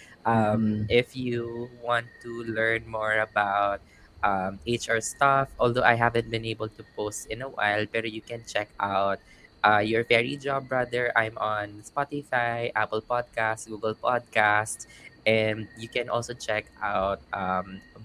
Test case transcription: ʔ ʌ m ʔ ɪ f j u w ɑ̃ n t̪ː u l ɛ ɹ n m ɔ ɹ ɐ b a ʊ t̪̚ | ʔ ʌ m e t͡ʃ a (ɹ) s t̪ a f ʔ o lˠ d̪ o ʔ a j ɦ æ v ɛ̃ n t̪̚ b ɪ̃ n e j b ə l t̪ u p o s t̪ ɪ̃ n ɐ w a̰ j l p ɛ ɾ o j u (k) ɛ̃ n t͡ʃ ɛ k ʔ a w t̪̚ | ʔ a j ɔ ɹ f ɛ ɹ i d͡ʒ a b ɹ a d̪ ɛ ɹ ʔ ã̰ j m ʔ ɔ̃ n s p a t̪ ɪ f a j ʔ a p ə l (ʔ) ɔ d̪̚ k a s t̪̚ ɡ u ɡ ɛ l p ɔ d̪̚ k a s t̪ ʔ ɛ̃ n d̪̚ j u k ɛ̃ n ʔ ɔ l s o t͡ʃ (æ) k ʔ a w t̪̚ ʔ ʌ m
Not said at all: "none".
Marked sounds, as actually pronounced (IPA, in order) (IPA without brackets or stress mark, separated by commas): ɹ, k, p, ɛ